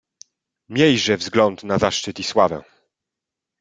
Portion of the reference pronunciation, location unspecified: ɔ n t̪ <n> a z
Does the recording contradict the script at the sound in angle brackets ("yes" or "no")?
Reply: no